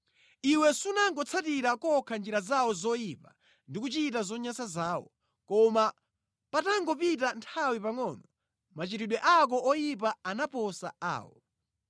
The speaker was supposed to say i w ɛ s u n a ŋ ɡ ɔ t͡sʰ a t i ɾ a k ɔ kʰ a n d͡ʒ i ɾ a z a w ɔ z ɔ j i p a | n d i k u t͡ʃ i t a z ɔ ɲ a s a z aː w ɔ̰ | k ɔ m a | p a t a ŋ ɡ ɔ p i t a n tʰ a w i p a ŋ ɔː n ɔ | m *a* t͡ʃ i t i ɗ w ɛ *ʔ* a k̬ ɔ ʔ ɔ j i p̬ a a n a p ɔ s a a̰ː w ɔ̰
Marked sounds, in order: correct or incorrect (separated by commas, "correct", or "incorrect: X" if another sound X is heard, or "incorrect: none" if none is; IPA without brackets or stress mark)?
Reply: correct, correct